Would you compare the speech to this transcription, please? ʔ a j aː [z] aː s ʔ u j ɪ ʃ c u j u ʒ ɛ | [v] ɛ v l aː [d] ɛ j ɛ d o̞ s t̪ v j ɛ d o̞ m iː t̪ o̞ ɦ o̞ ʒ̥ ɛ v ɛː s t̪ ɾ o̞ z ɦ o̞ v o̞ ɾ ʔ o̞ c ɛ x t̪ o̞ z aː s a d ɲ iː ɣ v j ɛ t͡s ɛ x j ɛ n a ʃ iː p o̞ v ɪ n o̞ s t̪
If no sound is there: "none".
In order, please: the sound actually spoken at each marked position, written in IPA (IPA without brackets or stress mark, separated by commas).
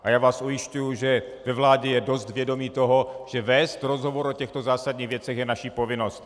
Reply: v, v, ɟ